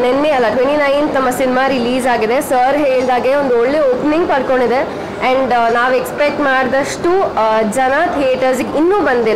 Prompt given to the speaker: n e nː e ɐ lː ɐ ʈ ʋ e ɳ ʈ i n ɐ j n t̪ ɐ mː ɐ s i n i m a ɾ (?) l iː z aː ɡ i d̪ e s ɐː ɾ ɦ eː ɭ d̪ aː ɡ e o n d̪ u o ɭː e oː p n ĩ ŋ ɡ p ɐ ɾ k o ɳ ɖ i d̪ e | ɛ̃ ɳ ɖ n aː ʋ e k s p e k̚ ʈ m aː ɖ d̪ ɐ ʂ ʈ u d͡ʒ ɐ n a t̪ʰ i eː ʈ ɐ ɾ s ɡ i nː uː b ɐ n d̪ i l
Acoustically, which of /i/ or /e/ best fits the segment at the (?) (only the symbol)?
i